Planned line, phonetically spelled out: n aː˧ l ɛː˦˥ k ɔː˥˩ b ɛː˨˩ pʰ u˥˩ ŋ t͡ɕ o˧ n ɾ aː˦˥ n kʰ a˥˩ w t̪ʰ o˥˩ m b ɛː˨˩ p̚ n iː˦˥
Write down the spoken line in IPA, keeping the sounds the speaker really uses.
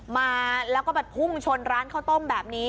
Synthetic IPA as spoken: m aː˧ l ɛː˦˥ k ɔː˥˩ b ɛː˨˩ pʰ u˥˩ ŋ t͡ɕʰ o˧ n ɾ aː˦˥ n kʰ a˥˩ w t̪ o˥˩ m b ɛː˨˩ p̚ n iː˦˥